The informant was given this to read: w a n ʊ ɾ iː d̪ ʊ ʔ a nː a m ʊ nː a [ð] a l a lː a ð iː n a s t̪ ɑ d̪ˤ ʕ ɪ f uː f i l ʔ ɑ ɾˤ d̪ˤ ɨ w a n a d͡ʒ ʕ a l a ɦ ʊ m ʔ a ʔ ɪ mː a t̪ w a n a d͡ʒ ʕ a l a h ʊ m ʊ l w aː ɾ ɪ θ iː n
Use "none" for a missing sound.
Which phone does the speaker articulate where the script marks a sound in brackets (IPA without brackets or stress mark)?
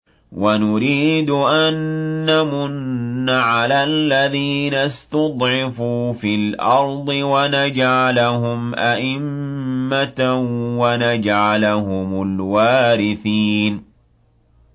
ʕ